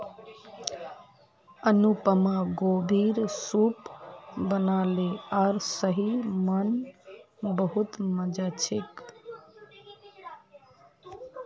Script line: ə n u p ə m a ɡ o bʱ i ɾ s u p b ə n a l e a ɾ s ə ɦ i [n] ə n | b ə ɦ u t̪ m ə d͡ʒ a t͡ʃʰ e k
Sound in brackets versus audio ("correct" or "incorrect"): incorrect